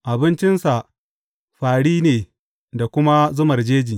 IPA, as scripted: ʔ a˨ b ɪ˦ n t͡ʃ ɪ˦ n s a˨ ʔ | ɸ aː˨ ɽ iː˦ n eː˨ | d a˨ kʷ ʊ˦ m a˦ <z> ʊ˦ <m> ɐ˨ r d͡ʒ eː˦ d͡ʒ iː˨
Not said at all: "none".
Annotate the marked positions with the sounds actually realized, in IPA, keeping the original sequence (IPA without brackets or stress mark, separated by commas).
z, m